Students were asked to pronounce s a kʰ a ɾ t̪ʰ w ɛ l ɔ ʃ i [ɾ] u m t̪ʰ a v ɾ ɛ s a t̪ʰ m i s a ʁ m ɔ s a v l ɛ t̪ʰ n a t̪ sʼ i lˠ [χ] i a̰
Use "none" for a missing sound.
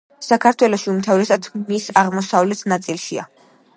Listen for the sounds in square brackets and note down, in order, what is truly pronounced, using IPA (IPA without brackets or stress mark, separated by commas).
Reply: none, ʃ